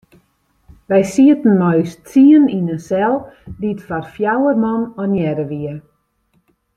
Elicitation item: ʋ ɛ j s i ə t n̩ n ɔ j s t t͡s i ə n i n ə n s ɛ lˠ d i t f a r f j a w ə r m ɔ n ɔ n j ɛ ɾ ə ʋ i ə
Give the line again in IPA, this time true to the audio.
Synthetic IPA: ʋ ɛ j s i ə t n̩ m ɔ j s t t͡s i ə n i n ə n s ɛ lˠ d i t f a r f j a w ə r m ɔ n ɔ n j ɛ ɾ ə ʋ i ə